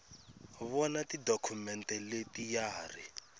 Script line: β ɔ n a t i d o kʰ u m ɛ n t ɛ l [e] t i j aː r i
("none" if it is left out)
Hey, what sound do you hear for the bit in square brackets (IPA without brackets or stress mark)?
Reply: e